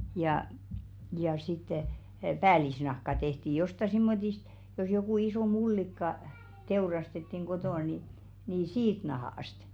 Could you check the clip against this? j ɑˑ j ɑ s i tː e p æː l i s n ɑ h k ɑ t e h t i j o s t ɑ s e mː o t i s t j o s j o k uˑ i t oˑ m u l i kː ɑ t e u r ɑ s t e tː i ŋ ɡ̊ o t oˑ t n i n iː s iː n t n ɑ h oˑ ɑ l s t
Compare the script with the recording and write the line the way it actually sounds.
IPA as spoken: j ɑˑ j ɑ s i tː e p æː l i s n ɑ h k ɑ t e h t i j o s t ɑ s i mː o t i s t j o s j o k uˑ i s oˑ m u lː i kː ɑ t e u r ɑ s t e tː i ŋ ɡ̊ o t oˑ n i n iː s iː t n ɑ h oˑ ɑ s t